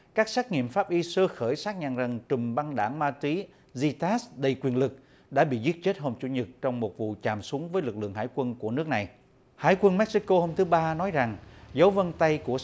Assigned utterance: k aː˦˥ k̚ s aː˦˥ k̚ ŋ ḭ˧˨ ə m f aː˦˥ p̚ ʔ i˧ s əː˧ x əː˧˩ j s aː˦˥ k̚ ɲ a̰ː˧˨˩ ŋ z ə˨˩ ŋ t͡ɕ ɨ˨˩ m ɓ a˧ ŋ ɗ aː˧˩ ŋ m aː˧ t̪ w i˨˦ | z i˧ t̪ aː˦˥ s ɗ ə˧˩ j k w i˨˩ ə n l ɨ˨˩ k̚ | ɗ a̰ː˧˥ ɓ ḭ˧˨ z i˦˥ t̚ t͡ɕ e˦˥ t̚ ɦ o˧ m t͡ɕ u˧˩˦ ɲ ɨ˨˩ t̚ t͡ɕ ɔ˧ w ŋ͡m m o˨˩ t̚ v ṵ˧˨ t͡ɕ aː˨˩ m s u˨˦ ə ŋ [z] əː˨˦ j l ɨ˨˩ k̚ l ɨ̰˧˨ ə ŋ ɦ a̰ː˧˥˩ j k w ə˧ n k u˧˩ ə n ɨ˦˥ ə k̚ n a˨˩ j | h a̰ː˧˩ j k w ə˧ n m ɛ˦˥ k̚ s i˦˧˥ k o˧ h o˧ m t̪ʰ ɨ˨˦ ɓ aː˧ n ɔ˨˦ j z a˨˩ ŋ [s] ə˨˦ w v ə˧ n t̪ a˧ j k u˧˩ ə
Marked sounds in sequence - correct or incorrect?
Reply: incorrect: v, incorrect: z

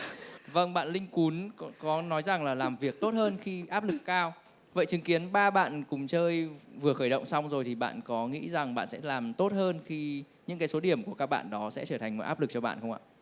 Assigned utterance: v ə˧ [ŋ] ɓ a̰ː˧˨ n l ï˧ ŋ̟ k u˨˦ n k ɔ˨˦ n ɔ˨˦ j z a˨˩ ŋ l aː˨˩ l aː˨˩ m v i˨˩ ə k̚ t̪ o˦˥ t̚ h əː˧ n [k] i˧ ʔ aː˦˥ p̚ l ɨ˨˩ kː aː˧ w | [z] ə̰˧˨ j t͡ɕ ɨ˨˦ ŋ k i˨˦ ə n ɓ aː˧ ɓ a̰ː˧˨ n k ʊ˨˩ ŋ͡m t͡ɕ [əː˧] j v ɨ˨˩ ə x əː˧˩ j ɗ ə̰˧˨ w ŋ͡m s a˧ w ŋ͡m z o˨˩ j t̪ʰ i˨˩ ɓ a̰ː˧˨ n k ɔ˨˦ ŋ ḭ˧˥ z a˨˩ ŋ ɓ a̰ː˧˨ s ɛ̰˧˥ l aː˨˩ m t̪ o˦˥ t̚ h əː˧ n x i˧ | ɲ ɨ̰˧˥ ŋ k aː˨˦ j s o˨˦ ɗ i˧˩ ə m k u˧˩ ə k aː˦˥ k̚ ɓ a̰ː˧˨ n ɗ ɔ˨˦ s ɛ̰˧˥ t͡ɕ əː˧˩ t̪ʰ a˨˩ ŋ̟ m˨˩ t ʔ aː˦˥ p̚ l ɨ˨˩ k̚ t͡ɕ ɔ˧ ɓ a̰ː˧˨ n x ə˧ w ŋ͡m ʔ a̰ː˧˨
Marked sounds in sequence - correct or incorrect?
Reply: correct, incorrect: x, incorrect: v, correct

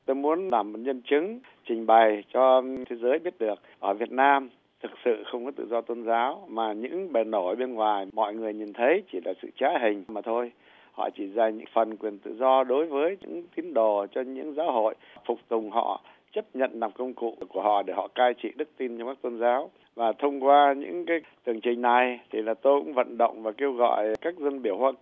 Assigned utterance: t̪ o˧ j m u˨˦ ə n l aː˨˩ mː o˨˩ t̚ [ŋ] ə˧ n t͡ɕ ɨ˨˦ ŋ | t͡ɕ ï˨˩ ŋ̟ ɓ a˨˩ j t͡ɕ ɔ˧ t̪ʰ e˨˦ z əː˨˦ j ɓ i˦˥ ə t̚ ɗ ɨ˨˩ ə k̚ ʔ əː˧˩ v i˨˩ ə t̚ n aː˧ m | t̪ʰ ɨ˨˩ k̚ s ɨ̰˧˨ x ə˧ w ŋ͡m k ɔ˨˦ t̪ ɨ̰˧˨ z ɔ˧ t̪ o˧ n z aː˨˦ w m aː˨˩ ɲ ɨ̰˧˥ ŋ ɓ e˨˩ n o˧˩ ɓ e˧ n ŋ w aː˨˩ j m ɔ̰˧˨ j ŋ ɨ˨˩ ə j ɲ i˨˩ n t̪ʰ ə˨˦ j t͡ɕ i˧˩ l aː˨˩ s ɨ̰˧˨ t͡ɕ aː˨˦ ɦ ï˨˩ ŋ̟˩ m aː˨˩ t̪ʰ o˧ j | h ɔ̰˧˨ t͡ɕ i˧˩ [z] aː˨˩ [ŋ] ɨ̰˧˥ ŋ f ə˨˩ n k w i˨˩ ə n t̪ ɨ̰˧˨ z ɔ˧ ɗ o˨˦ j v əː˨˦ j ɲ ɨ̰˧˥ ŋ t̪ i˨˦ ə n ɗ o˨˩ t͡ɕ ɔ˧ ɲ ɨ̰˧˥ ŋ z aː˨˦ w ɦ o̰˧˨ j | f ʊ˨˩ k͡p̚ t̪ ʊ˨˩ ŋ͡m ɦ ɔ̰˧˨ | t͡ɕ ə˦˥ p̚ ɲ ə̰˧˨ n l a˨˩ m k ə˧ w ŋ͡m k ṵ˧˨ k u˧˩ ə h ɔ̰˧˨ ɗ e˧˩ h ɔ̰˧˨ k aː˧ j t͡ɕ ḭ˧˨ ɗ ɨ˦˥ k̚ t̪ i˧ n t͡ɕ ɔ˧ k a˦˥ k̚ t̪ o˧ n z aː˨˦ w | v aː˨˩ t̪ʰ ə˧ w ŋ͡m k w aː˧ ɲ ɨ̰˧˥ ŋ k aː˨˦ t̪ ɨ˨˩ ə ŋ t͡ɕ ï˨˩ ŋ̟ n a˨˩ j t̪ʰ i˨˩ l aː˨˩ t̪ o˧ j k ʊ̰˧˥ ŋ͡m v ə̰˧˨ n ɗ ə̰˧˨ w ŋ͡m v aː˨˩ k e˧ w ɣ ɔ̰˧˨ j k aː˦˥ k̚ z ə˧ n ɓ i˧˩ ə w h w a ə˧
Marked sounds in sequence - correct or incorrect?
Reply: incorrect: ɲ, correct, incorrect: ɲ

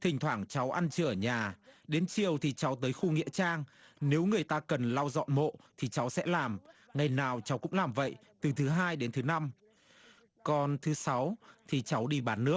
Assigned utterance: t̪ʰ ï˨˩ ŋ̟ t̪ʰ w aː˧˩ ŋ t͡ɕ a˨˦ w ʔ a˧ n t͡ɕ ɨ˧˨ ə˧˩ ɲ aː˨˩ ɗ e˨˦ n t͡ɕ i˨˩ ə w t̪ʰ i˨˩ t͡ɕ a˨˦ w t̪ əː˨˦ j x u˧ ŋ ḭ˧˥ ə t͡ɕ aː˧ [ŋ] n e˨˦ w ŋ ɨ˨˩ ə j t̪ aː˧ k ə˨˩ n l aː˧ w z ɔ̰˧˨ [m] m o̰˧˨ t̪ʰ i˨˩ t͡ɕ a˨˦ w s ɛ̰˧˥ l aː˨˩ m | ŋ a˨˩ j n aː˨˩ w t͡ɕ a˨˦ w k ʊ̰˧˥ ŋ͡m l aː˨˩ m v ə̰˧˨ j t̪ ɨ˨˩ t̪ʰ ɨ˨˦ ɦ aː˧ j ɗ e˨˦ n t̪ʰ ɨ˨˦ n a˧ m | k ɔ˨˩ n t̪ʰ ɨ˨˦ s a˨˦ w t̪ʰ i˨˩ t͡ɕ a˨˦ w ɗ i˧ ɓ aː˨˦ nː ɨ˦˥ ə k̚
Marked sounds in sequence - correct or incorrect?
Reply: correct, incorrect: n

